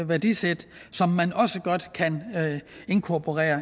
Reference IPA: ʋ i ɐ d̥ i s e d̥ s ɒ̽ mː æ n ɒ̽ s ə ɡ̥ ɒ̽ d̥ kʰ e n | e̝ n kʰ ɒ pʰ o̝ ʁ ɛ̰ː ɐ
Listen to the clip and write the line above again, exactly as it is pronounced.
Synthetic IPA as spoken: ʋ æ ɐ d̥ i s e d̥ s ɒ̽ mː æ n ɒ̽ s ə ɡ̥ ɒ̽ d̥ kʰ æ n | e̝ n kʰ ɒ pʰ o̝ ʁ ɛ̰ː ɐ